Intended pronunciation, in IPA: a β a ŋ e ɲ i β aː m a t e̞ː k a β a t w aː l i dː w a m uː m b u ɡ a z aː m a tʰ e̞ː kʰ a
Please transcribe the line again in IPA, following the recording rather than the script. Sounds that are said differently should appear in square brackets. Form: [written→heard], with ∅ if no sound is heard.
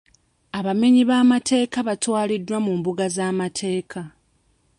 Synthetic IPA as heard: a β a [ŋ→m] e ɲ i β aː m a t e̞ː k a β a t w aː l i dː w a m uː m b u ɡ a z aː m a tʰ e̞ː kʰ a